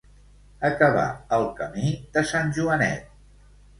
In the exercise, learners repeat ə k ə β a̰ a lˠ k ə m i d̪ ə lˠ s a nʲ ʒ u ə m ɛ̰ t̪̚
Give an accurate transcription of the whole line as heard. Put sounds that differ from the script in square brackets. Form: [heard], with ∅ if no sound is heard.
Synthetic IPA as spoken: ə k ə β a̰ [ə] lˠ k ə m i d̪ ə [∅] s a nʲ ʒ u ə [n] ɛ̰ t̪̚